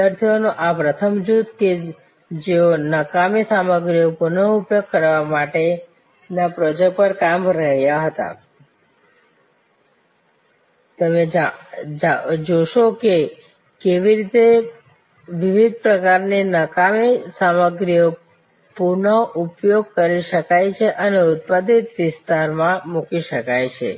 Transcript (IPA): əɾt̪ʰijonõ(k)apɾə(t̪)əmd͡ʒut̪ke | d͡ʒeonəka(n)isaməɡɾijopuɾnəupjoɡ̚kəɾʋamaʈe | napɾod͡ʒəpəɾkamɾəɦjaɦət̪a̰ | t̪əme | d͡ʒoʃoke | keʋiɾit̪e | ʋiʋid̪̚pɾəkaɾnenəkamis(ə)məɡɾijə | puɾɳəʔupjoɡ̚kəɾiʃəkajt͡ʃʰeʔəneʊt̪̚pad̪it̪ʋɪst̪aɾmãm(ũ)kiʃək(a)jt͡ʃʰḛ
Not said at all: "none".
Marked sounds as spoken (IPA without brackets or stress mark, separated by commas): ʔ, t̪ʰ, m, a, u, a